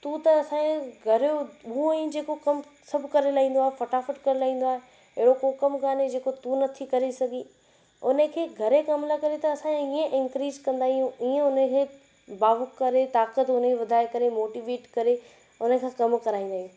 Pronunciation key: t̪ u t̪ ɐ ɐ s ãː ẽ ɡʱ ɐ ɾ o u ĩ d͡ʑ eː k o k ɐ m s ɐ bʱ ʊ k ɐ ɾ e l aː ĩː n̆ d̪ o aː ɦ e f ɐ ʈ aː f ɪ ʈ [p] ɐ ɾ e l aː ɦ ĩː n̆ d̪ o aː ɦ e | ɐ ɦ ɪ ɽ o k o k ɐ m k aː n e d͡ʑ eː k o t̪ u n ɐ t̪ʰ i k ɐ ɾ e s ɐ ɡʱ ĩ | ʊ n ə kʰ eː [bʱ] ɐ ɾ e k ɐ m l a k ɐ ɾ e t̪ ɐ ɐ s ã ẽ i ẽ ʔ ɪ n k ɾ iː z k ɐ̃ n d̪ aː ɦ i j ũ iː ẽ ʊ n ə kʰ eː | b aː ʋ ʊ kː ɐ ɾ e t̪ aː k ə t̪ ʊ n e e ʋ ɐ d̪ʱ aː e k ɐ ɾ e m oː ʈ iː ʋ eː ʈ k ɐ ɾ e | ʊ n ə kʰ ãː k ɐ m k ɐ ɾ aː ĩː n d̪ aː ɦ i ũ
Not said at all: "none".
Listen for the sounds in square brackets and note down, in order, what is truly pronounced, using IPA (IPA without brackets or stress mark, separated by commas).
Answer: k, ɡʱ